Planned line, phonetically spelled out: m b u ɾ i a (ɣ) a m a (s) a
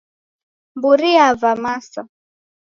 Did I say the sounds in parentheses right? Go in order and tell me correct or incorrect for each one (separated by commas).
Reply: incorrect, correct